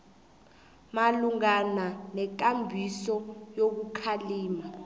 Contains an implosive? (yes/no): no